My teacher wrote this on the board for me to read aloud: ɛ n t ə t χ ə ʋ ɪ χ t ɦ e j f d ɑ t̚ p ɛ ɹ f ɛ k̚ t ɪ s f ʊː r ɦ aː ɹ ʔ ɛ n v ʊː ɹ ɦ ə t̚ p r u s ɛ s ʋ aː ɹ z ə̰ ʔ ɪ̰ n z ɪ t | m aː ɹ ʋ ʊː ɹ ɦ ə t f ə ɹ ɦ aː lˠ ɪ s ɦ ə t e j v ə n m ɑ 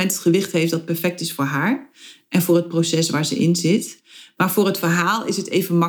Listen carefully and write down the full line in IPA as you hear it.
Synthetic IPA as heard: ɛ n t ə t χ ə ʋ ɪ χ t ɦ e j f d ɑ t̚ p ɛ ɹ f ɛ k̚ t ɪ s f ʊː ɹ ɦ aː ɹ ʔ ɛ n v ʊː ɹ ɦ ə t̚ p r o s ɛ s ʋ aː ɹ z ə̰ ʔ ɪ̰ n z ɪ t | m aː ɹ v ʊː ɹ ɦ ə t f ə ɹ ɦ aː lˠ ɪ s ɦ ə t e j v ə n m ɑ